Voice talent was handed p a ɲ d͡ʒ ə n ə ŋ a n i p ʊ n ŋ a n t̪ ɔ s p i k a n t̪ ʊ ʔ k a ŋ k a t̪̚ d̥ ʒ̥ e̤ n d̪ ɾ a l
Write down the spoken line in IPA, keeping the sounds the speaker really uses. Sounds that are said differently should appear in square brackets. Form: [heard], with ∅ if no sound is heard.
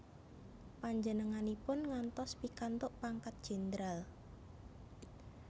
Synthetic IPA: p a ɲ d͡ʒ ə n ə ŋ a n i p ʊ n ŋ a n t̪ ɔ s p i k a n t̪ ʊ ʔ [p] a ŋ k a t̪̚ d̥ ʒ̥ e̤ n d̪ ɾ a l